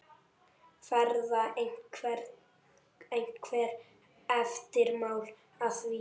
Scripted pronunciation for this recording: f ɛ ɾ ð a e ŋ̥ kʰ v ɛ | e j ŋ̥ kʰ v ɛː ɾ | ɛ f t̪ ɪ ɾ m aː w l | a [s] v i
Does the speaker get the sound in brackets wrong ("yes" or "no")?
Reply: yes